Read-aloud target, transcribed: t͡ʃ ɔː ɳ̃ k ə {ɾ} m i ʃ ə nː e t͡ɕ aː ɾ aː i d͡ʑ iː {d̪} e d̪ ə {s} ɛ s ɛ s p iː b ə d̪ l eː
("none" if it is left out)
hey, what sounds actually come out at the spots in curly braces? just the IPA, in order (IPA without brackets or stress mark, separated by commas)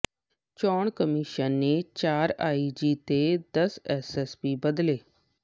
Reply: none, t̪, s